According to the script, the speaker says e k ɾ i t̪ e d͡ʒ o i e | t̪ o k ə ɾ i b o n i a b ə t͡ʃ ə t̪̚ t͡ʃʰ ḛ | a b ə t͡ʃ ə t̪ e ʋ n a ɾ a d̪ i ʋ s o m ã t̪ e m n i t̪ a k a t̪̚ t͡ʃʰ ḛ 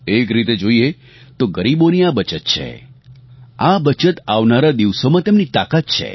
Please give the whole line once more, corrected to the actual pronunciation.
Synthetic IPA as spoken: e k ɾ i t̪ e d͡ʒ o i e | t̪ o ɡ ə ɾ i b o n i a b ə t͡ʃ ə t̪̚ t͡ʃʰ ḛ | a b ə t͡ʃ ə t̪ a ʋ n a ɾ a d̪ i ʋ s o m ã t̪ e m n i t̪ a k a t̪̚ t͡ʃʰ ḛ